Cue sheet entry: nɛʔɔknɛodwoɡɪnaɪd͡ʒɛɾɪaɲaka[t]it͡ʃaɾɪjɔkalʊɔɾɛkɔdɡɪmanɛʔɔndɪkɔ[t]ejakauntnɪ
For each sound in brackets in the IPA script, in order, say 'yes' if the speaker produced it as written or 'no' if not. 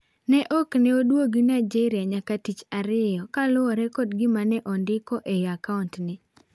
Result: yes, no

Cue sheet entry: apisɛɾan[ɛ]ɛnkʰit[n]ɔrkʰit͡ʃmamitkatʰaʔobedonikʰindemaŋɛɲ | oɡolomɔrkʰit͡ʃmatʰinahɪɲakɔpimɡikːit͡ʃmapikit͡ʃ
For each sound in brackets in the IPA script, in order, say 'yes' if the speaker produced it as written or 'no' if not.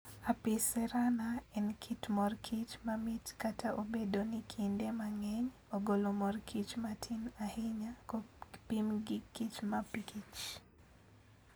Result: no, no

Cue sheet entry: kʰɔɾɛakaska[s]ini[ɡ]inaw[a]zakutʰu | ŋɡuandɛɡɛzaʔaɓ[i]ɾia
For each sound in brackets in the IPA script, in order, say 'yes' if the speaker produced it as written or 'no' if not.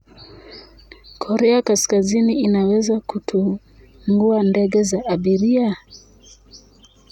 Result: no, no, no, yes

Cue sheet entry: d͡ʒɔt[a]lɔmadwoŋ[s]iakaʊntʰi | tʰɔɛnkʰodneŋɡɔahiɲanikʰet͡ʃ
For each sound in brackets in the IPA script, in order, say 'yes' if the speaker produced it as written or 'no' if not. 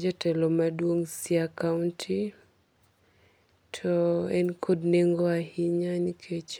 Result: no, yes

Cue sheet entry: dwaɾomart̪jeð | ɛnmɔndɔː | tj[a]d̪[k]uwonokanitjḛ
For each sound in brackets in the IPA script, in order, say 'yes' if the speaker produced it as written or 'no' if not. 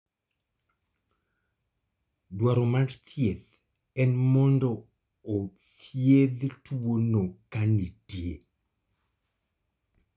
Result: no, no

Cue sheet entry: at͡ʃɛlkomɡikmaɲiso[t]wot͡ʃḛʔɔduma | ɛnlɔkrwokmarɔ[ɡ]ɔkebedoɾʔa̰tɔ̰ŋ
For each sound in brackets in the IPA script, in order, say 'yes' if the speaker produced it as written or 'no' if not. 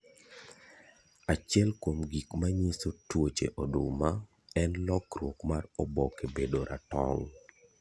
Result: yes, no

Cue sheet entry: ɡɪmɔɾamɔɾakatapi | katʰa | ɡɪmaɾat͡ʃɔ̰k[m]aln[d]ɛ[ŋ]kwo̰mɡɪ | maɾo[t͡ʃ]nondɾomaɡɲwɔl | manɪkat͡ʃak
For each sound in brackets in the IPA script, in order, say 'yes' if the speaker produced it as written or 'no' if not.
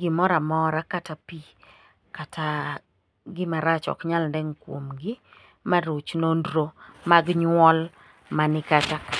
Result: no, yes, yes, yes

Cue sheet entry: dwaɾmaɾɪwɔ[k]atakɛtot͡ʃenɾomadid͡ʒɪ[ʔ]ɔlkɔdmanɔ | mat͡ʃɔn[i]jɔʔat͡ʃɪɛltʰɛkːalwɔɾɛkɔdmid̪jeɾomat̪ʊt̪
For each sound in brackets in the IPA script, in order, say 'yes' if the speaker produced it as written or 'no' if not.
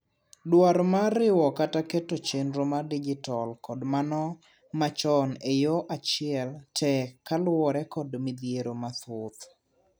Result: yes, no, no

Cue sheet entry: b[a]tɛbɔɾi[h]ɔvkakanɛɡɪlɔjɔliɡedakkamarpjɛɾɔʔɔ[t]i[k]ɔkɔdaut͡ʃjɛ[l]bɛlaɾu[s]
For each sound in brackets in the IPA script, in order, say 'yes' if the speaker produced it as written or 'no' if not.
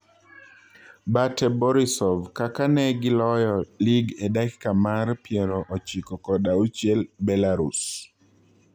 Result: yes, no, no, yes, yes, yes

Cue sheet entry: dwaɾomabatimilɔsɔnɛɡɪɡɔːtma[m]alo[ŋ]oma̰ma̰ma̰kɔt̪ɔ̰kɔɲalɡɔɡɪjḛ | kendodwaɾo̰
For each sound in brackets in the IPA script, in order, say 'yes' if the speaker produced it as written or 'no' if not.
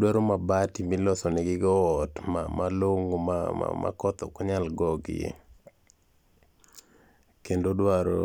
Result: yes, yes

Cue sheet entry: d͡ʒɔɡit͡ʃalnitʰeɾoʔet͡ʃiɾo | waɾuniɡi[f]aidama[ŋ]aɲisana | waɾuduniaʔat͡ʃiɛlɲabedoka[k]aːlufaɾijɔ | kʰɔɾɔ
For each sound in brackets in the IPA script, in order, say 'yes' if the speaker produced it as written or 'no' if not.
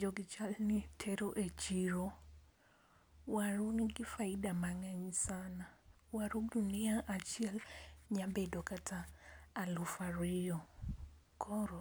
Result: yes, yes, no

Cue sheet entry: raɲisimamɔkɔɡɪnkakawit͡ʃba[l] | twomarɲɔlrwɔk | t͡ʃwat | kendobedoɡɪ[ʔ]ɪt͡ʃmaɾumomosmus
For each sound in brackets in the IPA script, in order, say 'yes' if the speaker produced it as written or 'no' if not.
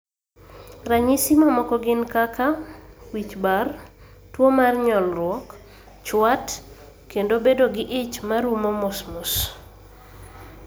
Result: no, yes

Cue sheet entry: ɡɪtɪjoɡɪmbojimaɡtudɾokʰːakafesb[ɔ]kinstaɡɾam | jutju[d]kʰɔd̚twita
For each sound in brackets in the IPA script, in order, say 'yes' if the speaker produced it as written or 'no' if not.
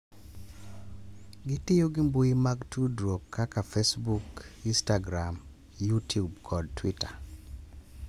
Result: no, no

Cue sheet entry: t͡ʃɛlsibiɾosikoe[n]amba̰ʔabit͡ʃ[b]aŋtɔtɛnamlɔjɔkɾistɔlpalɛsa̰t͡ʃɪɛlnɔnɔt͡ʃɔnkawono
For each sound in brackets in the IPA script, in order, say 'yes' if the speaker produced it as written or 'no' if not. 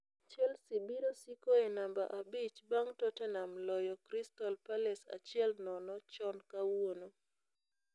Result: yes, yes

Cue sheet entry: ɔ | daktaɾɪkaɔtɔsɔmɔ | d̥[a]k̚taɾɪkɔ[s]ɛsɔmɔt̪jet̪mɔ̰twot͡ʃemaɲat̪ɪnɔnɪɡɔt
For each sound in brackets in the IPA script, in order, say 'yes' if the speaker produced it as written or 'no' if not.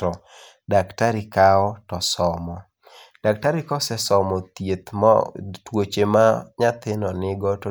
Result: yes, yes

